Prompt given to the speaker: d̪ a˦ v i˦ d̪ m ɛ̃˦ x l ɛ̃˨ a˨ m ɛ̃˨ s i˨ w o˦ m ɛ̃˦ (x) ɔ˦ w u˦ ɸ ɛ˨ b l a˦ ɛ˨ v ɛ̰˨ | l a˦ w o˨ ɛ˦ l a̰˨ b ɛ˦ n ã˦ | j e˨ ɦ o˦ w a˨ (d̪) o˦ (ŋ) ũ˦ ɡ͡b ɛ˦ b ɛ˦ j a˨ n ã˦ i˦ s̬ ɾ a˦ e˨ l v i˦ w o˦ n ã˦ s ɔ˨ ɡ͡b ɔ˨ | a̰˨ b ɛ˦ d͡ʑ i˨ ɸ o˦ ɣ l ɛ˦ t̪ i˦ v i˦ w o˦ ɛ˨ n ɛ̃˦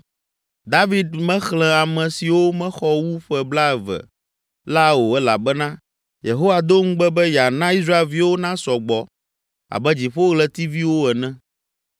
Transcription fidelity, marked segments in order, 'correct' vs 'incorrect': correct, correct, correct

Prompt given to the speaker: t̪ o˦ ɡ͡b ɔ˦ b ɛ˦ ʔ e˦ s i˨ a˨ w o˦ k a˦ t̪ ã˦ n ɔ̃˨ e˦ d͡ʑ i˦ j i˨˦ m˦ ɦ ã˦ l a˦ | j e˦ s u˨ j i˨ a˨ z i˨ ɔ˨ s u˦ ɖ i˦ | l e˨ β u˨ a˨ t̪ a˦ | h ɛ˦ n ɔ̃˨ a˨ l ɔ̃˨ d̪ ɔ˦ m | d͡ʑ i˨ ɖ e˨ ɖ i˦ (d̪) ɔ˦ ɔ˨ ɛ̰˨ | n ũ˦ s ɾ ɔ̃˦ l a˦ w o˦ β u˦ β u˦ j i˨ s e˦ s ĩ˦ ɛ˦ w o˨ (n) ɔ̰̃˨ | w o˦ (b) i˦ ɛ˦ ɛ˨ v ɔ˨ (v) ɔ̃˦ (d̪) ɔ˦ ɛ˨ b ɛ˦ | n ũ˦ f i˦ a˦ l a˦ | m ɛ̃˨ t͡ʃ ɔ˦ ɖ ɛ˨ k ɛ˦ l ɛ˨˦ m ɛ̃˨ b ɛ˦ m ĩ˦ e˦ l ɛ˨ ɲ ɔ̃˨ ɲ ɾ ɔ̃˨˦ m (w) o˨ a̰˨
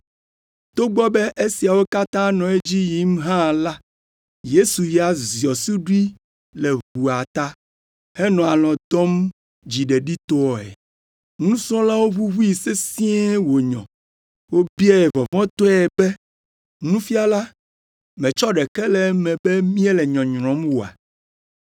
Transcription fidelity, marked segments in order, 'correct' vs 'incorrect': incorrect: t̪, incorrect: ɲ, correct, correct, incorrect: t̪, correct

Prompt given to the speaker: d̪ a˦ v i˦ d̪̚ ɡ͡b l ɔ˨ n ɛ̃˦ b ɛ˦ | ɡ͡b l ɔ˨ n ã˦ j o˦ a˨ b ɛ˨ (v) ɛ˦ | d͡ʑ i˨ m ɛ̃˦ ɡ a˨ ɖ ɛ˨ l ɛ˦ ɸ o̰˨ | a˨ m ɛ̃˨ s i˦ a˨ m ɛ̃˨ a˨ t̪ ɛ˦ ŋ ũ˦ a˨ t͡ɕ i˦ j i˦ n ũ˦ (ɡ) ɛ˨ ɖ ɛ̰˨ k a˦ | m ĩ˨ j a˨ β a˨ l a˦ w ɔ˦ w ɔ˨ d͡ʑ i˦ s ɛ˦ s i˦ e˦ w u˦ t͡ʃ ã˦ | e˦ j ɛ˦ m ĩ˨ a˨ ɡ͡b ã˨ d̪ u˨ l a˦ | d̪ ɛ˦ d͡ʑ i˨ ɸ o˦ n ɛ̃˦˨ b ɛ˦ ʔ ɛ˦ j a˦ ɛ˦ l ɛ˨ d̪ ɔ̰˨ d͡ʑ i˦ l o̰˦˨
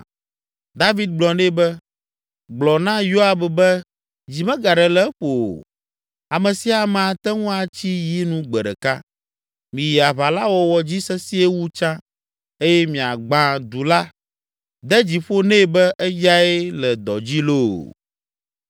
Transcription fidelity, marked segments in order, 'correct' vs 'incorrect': incorrect: b, incorrect: ɡ͡b

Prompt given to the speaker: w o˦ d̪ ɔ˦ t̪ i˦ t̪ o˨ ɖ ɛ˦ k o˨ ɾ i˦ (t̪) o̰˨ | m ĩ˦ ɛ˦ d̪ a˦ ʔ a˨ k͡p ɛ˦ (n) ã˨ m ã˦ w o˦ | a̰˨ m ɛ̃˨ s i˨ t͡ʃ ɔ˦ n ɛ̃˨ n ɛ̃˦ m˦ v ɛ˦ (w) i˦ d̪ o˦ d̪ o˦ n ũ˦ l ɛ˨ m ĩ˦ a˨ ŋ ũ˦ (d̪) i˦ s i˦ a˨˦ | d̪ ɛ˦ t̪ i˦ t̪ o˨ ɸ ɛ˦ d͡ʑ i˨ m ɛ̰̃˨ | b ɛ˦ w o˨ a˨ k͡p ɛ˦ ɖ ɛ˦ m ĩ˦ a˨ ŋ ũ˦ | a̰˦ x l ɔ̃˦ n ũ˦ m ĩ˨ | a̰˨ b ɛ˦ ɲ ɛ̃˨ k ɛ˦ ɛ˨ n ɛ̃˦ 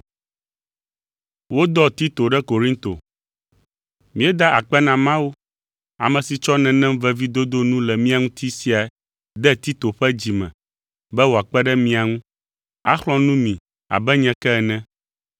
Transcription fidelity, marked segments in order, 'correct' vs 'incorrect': correct, correct, incorrect: v, incorrect: t̪

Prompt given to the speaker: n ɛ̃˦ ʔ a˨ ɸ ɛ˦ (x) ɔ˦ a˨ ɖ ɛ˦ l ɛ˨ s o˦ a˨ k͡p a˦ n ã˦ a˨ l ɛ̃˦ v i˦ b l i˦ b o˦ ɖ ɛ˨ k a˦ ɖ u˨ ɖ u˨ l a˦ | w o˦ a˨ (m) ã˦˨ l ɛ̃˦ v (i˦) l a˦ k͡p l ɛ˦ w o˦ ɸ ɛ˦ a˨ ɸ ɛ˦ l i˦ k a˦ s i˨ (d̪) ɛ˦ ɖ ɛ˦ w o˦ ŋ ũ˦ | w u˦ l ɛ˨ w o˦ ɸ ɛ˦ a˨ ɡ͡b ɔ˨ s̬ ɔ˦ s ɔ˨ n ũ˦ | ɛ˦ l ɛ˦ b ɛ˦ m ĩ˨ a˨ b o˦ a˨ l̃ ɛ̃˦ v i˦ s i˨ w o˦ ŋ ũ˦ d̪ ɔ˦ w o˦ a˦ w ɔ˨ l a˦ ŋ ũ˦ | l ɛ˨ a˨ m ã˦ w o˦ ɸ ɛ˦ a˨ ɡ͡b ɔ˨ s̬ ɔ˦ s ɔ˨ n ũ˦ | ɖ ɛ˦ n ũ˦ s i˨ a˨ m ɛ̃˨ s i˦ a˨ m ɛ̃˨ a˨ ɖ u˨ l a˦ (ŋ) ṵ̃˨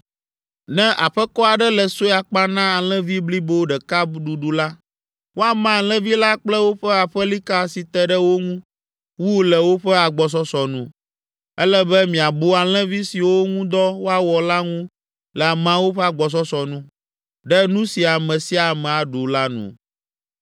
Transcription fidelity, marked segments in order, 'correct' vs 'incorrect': incorrect: k, correct, correct, incorrect: t̪, incorrect: n

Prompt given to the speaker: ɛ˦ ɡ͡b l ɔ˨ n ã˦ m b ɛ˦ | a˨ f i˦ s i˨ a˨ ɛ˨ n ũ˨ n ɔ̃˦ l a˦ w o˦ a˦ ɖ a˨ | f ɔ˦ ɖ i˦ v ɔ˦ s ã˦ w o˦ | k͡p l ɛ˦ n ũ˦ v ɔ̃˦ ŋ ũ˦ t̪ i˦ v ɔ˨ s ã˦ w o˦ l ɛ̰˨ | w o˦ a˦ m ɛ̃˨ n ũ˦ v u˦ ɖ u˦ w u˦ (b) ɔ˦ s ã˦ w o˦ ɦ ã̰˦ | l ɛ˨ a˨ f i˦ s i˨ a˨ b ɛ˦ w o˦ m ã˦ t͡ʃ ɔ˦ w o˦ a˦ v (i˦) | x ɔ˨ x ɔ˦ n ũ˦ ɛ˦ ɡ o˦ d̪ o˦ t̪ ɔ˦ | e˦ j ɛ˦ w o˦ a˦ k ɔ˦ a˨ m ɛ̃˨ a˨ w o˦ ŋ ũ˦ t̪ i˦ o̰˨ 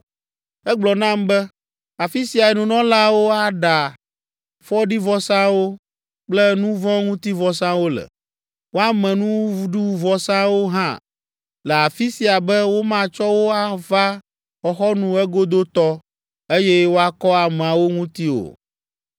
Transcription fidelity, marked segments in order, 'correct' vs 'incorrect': incorrect: v, incorrect: a˦

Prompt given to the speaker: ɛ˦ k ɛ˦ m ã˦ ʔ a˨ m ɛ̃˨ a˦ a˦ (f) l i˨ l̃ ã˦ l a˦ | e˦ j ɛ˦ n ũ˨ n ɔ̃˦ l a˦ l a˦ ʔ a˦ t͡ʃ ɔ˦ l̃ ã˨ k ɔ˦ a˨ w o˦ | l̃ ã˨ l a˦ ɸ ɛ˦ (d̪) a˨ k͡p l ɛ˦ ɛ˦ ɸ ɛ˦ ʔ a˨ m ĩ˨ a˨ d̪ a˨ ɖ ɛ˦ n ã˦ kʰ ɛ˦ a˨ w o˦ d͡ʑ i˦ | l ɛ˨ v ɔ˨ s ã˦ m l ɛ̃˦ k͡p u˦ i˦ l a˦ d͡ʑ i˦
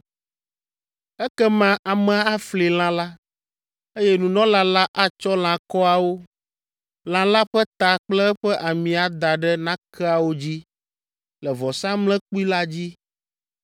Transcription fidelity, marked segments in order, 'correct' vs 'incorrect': correct, incorrect: t̪

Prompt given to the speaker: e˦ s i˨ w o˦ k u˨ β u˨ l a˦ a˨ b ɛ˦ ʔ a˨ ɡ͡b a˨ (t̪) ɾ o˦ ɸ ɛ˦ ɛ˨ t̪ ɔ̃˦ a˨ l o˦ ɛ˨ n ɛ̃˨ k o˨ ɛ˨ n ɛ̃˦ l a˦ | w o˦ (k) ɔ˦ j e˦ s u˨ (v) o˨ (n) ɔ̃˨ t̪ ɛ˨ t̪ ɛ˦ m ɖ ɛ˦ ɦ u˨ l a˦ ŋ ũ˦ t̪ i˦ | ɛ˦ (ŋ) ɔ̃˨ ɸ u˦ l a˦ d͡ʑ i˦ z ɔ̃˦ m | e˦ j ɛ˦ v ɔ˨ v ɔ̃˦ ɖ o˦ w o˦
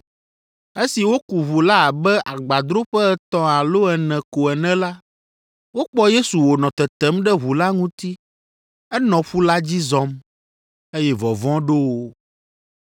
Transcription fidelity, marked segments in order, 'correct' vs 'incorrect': incorrect: d̪, incorrect: k͡p, incorrect: w, correct, incorrect: n

